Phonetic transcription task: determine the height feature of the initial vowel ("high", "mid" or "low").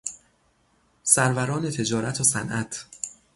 low